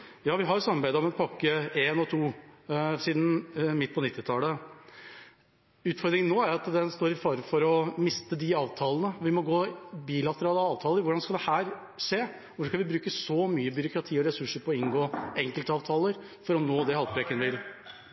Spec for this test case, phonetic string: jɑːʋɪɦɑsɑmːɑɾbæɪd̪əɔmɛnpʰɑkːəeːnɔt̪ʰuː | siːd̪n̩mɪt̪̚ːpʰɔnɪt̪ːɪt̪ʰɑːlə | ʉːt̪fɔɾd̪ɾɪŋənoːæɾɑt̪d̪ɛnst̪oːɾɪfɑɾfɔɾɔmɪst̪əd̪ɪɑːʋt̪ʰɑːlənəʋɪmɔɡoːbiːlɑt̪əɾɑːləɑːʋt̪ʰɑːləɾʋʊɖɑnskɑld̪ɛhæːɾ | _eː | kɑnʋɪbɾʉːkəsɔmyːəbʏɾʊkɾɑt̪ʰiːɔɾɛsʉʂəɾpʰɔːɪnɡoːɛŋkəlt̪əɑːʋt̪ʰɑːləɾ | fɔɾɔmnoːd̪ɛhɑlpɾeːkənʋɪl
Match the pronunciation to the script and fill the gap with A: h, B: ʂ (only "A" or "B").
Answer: B